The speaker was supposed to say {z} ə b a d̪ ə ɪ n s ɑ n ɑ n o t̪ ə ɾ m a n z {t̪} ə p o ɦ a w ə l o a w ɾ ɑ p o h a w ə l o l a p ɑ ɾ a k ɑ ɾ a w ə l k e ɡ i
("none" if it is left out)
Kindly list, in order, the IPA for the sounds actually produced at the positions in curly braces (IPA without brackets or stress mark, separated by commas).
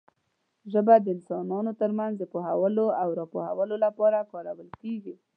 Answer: ʒ, d̪